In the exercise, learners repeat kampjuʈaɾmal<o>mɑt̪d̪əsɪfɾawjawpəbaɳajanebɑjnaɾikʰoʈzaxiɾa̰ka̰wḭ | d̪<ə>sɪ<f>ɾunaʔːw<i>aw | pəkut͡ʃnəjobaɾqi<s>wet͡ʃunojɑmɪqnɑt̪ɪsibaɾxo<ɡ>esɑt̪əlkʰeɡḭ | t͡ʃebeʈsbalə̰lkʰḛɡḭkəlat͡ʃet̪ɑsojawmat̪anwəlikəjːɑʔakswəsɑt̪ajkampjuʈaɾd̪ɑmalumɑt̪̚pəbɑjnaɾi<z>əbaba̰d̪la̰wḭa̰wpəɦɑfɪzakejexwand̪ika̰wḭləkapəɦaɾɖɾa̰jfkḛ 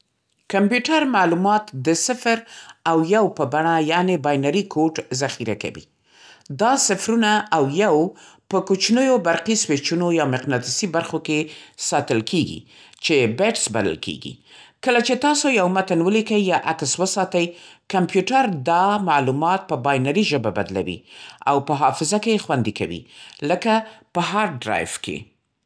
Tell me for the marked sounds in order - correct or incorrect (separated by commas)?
incorrect, incorrect, correct, incorrect, correct, incorrect, incorrect